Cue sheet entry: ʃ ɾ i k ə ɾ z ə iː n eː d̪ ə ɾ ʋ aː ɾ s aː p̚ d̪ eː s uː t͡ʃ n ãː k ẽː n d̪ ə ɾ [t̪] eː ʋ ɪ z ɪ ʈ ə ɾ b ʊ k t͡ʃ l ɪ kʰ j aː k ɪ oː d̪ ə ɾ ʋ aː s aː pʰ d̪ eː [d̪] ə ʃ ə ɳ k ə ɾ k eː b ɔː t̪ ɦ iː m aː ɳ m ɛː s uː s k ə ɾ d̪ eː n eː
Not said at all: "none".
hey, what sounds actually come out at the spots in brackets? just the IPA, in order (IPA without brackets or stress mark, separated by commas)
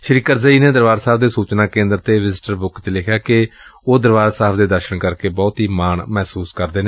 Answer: t̪, d̪